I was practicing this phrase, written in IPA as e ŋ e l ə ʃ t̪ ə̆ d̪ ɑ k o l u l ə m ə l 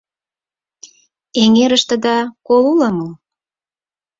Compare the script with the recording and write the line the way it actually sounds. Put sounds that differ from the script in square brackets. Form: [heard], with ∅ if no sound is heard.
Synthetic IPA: e ŋ e [ɾ] ə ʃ t̪ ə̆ d̪ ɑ k o l u l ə m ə l